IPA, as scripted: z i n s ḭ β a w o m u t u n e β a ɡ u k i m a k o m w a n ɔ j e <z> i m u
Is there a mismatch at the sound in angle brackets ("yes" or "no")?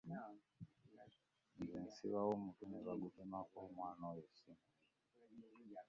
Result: yes